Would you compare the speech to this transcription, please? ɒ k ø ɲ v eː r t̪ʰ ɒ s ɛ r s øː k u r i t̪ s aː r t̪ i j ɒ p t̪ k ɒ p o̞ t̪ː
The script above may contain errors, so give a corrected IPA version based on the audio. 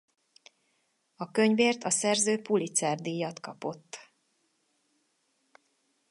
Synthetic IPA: ɒ k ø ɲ v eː r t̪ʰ ɒ s ɛ r z øː p u l i t̪ s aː r d̪ i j ɒ t̪ k ɒ p o̞ t̪ː

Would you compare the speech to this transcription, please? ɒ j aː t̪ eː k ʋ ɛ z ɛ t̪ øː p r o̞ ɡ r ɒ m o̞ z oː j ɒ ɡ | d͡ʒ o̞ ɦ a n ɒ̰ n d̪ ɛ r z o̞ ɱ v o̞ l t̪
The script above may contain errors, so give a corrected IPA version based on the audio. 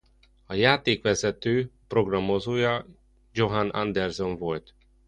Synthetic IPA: ɒ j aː t̪ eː k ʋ ɛ z ɛ t̪ øː p r o̞ ɡ r ɒ m o̞ z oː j ɒ | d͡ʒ o̞ ɦ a n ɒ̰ n d̪ ɛ r z o̞ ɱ v o̞ l t̪

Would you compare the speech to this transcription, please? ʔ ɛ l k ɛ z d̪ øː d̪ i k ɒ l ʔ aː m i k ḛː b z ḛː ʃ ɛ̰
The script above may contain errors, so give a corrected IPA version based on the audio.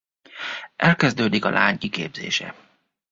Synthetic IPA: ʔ ɛ l k ɛ z d̪ øː d̪ i k ɒ l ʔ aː ɲ i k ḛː b z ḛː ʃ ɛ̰

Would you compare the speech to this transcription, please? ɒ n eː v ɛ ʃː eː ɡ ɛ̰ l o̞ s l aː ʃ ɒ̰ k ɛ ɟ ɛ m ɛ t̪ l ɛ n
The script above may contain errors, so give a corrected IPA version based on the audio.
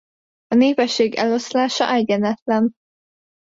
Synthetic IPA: ɒ n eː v ɛ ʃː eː ɡ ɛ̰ l o̞ s l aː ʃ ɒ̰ ʔ ɛ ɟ ɛ n ɛ t̪ l ɛ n

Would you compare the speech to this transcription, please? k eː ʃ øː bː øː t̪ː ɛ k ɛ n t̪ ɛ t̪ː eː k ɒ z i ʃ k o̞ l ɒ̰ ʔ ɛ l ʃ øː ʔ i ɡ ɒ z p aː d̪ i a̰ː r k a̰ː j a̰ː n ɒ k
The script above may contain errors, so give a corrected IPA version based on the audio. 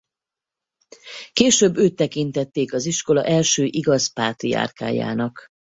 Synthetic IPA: k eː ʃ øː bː øː t̪ː ɛ k i n t̪ ɛ t̪ː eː k ɒ z i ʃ k o̞ l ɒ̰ ʔ ɛ l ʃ øː ʔ i ɡ ɒ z p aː t̪ i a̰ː r k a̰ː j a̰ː n ɒ k

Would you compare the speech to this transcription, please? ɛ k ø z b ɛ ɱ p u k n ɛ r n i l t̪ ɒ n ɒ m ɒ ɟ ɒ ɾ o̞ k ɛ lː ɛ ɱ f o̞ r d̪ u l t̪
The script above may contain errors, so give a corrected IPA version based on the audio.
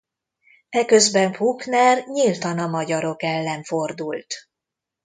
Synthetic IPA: ɛ k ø z b ɛ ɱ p u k n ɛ r ɲ i l t̪ ɒ n ɒ m ɒ ɟ ɒ ɾ o̞ k ɛ lː ɛ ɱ f o̞ r d̪ u l t̪

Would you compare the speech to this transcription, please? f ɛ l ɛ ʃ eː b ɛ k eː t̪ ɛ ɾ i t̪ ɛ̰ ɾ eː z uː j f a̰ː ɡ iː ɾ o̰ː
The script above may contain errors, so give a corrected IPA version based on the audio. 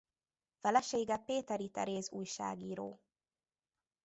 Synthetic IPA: f ɛ l ɛ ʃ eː ɡ ɛ p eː t̪ ɛ ɾ i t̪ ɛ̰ ɾ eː z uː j ʃ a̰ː ɡ iː ɾ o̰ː

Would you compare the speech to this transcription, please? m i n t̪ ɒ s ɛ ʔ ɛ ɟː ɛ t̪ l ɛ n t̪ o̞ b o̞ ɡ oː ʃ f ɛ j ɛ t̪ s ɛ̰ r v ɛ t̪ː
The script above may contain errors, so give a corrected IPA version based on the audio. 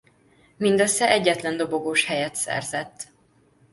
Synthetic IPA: m i n d̪ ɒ s ɛ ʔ ɛ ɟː ɛ t̪ l ɛ n d̪ o̞ b o̞ ɡ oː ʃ h ɛ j ɛ t̪ s ɛ̰ r z ɛ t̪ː

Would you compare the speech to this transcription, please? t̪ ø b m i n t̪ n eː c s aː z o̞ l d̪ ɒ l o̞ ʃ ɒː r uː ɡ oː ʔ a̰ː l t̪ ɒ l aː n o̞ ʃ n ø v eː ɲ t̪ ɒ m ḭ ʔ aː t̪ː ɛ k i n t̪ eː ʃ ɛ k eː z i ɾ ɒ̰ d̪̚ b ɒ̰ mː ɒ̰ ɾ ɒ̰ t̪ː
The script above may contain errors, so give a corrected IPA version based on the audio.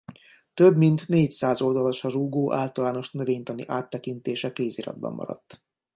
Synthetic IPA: t̪ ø b m i n t̪ n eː c s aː z o̞ l d̪ ɒ l o̞ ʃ ɒ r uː ɡ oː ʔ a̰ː l t̪ ɒ l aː n o̞ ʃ n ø v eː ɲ t̪ ɒ n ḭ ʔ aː t̪ː ɛ k i n t̪ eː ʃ ɛ k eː z i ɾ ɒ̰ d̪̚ b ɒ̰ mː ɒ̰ ɾ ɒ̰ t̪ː

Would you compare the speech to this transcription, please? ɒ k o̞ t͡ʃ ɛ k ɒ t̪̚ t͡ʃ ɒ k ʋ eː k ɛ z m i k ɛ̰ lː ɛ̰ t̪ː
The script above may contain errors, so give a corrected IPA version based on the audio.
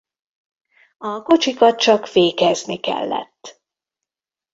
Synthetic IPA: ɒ k o̞ t͡ʃ i k ɒ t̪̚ t͡ʃ ɒ k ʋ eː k ɛ z n i k ɛ̰ lː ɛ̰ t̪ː

